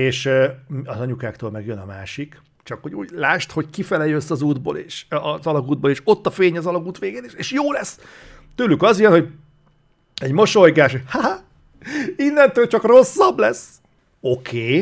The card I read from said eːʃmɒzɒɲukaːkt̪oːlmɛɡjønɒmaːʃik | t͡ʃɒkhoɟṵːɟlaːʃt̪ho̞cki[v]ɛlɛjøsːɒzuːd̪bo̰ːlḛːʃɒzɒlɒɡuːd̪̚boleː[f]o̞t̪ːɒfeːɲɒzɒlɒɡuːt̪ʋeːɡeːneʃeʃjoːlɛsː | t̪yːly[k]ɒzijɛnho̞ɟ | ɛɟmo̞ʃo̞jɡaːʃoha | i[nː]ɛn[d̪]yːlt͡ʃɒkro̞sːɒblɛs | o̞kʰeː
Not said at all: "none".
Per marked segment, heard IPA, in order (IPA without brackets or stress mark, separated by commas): f, ʃ, k, nː, t̪